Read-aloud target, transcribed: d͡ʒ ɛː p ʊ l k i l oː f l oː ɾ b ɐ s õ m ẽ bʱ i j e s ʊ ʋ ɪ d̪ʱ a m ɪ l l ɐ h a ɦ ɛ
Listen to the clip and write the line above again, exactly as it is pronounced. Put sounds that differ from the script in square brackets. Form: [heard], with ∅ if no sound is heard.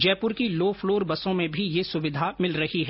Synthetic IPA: d͡ʒ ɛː p ʊ [ɾ] k i l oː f l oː ɾ b ɐ s õ m ẽ bʱ i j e s ʊ ʋ ɪ d̪ʱ a m ɪ l [ɾ] ɐ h [i] ɦ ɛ

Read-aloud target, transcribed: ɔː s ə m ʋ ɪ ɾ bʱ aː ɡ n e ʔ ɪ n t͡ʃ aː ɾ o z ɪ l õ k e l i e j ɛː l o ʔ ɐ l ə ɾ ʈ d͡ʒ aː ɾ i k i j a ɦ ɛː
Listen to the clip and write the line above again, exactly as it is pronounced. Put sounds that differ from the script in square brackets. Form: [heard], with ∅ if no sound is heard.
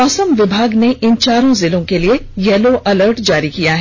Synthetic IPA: ɔː s ə m ʋ ɪ [∅] bʱ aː ɡ n e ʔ ɪ n t͡ʃ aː ɾ [õ] z ɪ l õ k e l i e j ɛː l o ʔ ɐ l ə ɾ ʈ d͡ʒ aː ɾ i k i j a ɦ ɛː

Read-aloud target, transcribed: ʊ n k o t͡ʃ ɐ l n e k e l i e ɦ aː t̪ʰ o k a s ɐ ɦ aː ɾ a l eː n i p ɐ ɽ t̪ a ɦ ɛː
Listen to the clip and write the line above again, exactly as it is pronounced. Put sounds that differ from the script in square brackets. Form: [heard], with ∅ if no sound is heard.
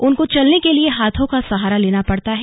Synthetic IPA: ʊ n k o t͡ʃ ɐ l n e k e l i e ɦ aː t̪ʰ [õ] k a s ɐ ɦ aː ɾ a l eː n [a] p ɐ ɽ t̪ a ɦ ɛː

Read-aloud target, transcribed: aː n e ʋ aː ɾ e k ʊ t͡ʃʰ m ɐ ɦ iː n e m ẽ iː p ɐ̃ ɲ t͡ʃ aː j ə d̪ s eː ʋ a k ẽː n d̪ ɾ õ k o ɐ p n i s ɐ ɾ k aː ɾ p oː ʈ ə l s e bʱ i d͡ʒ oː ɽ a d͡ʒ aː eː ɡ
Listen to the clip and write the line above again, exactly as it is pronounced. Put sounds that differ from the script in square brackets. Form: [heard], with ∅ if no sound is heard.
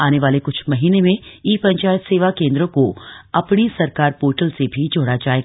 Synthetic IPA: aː n e ʋ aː [l] e k ʊ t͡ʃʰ m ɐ ɦ iː n e m ẽ iː p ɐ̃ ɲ t͡ʃ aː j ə [t̪] s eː ʋ a k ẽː n d̪ ɾ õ k o ɐ p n i s ɐ ɾ k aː ɾ p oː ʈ ə l s e bʱ i d͡ʒ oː ɽ a d͡ʒ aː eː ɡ

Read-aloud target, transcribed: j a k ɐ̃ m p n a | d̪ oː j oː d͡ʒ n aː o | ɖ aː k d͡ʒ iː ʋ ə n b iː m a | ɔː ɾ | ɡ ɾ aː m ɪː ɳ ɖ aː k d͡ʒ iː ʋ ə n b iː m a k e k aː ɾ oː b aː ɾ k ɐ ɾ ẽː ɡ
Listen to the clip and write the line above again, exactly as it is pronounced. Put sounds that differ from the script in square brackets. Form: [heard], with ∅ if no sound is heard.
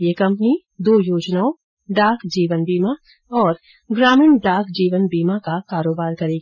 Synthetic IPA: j [e] k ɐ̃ m p n [i] | d̪ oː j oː d͡ʒ n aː o | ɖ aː k d͡ʒ iː ʋ ə n b iː m a | ɔː ɾ | ɡ ɾ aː m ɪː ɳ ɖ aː k d͡ʒ iː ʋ ə n b iː m a k [a] k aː ɾ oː b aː ɾ k ɐ ɾ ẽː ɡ

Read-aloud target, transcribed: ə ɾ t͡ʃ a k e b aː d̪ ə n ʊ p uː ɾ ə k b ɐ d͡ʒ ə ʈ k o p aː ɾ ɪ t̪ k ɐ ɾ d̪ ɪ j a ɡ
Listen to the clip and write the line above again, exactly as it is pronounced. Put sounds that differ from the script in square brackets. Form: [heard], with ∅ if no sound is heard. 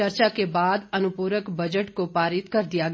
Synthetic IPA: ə ɾ t͡ʃ a k e b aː d̪ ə n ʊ p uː ɾ ə k b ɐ d͡ʒ ə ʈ k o p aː ɾ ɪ t̪ k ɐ ɾ d̪ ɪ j a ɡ

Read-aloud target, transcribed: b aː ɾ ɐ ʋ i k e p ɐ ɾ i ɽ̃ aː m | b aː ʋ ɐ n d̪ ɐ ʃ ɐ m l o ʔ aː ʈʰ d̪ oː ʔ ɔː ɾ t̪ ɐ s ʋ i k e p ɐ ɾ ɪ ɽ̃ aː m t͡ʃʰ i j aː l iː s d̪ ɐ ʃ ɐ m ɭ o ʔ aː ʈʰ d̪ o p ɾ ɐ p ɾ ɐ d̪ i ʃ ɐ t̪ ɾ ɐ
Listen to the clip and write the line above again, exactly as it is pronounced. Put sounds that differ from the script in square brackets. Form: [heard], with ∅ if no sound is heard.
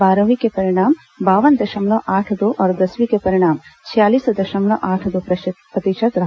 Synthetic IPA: b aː ɾ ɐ ʋ i k e p ɐ ɾ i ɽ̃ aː m | b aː ʋ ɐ n d̪ ɐ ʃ ɐ m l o ʔ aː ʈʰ d̪ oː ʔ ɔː ɾ [d̪] ɐ s ʋ i k e p ɐ ɾ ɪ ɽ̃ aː m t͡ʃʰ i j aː l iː s d̪ ɐ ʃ ɐ m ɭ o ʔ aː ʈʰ d̪ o p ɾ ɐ p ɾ ɐ [t̪] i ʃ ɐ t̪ ɾ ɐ

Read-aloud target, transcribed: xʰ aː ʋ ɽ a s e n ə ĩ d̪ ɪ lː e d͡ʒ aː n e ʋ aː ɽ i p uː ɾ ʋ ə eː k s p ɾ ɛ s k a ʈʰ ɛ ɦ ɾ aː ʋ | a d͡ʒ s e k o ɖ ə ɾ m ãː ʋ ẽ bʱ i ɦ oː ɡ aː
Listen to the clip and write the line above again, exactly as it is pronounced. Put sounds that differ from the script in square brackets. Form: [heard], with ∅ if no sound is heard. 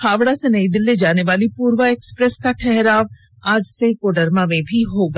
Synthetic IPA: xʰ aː ʋ ɽ a s e n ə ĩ d̪ ɪ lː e d͡ʒ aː n e ʋ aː [l] i p uː ɾ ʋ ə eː k s p ɾ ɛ s k a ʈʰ ɛ ɦ ɾ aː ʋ | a d͡ʒ s e k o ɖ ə ɾ m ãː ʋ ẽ bʱ i ɦ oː ɡ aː

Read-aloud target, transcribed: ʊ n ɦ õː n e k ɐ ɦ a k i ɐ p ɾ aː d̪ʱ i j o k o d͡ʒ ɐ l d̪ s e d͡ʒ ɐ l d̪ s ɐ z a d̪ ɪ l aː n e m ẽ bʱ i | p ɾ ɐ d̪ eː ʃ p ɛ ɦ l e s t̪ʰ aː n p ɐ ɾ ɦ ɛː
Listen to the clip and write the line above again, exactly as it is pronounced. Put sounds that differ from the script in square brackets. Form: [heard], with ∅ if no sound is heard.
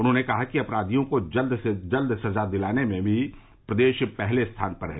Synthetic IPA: ʊ n ɦ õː n e k ɐ ɦ a k i ɐ p ɾ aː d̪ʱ i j [õ] k o d͡ʒ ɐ l d̪ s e d͡ʒ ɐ l d̪ s ɐ z a d̪ ɪ l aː n e m ẽ bʱ i | p ɾ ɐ d̪ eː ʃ p ɛ ɦ l e s t̪ʰ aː n p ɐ ɾ ɦ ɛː

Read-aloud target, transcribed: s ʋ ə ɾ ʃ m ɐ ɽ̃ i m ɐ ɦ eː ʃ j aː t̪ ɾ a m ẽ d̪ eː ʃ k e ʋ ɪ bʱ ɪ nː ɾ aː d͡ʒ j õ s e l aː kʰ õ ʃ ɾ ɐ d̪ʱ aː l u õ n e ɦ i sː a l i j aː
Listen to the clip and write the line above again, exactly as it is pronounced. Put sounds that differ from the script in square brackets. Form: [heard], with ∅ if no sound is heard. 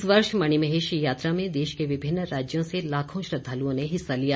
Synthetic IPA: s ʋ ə ɾ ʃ m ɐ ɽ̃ i m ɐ ɦ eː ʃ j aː t̪ ɾ a m ẽ d̪ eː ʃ k e ʋ ɪ bʱ ɪ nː ɾ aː d͡ʒ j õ s e l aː kʰ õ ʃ ɾ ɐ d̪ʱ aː l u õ n e ɦ [ɪ] sː a l i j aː

